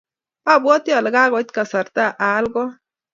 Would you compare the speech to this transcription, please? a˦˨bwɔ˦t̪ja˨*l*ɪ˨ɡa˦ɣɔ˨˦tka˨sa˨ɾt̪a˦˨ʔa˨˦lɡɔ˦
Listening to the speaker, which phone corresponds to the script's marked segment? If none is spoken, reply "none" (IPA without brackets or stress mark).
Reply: l